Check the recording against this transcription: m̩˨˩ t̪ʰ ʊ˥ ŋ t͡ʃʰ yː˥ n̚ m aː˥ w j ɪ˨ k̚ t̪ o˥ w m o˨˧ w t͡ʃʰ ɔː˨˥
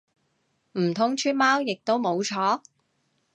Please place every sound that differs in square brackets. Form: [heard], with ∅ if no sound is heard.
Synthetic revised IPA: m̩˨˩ t̪ʰ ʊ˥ ŋ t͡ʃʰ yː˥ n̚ m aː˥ w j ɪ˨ k̚ t̪ o˥ w m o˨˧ w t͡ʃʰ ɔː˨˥